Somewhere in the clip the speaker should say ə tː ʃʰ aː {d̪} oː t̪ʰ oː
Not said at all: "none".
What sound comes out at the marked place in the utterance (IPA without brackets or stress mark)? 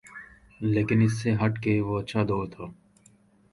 d̪